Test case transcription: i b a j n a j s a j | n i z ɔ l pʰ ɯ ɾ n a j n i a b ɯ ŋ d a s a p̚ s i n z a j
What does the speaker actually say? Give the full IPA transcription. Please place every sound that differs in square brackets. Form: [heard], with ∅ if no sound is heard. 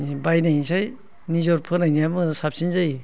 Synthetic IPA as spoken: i b a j n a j s a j | n i z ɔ [ɾ] pʰ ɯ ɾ n a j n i a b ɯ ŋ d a s a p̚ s i n z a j